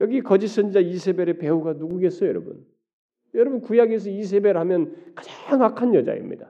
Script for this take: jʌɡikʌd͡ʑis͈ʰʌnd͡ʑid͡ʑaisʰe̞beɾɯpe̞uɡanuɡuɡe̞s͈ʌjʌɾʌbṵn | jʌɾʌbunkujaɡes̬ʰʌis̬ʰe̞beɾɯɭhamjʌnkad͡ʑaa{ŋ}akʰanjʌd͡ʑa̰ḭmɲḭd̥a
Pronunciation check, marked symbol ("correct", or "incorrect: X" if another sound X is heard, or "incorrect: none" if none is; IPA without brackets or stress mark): correct